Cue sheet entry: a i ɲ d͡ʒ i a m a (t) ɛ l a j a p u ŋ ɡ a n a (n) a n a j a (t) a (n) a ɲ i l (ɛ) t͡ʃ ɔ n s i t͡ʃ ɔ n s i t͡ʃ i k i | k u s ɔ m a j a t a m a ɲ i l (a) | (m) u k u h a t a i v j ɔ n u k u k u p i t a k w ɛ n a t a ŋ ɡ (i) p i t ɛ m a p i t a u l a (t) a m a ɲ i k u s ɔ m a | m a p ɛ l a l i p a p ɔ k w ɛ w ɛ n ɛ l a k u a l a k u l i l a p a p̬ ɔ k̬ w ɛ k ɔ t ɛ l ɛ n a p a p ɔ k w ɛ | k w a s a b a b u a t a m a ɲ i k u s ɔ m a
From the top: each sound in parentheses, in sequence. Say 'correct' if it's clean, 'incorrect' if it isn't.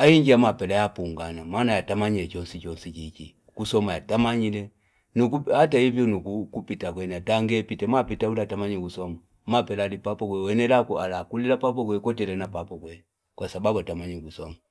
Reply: incorrect: p, incorrect: m, correct, incorrect: m, correct, incorrect: ɛ, incorrect: n, incorrect: ɛ, correct

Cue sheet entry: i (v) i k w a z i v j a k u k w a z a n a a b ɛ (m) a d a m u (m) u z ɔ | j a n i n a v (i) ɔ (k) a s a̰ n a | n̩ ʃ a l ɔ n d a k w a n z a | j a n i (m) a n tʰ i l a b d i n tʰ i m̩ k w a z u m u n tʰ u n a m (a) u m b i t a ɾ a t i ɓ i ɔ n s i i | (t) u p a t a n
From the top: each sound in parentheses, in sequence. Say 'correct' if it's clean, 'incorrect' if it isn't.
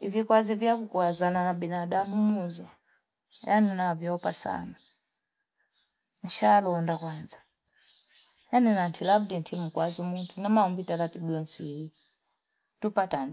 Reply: correct, incorrect: n, correct, incorrect: j, incorrect: p, incorrect: n, correct, correct

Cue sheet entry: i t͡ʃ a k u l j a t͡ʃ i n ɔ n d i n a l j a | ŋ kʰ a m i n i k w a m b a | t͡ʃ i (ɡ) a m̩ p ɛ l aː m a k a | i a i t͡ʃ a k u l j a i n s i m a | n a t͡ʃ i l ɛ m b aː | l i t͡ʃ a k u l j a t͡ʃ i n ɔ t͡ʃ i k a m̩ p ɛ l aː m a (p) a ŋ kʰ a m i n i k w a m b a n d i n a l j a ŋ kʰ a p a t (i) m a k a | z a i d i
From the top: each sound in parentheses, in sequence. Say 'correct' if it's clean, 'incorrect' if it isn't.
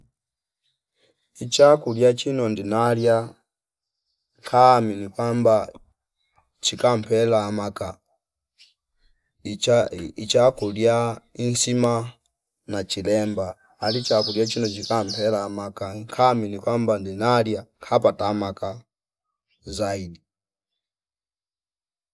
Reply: incorrect: k, incorrect: k, incorrect: a

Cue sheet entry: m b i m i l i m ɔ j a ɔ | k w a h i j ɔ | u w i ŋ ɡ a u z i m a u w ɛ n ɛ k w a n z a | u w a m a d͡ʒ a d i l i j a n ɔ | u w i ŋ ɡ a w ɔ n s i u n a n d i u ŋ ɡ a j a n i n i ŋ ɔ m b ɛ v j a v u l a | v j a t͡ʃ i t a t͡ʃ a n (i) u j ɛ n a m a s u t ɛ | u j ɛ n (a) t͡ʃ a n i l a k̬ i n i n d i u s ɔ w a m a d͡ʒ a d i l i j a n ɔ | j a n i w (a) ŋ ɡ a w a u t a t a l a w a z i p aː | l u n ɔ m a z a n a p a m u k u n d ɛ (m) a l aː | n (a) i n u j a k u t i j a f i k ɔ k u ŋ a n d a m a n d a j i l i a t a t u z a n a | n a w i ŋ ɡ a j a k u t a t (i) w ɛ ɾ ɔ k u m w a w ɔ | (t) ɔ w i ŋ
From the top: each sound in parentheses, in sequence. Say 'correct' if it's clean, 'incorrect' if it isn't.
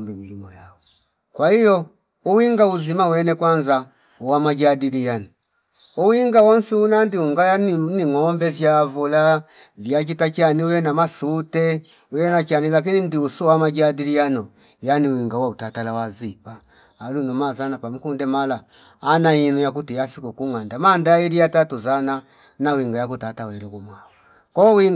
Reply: correct, correct, incorrect: i, correct, correct, incorrect: a, incorrect: k

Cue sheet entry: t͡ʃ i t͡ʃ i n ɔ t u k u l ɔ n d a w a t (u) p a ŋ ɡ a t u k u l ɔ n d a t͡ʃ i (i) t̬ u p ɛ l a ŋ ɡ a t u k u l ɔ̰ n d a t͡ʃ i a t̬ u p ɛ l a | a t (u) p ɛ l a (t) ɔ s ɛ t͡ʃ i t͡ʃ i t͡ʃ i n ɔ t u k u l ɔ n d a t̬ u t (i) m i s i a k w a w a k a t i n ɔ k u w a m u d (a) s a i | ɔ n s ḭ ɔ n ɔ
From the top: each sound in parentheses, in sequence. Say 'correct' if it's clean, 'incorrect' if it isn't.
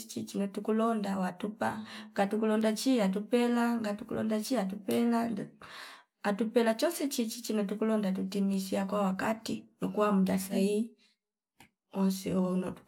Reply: correct, incorrect: a, correct, incorrect: t͡ʃ, correct, correct

